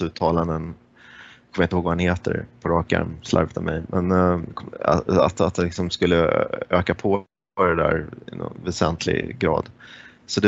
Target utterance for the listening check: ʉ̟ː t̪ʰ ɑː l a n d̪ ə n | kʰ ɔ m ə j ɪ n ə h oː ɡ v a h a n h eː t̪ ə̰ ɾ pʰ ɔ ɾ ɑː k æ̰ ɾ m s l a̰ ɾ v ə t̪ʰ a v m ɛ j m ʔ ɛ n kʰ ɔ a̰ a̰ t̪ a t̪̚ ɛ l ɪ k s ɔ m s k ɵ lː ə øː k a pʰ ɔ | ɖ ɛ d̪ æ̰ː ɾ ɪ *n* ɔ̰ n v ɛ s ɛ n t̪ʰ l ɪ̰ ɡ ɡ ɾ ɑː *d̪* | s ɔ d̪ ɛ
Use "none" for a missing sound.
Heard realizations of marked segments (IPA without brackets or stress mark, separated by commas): n, d̪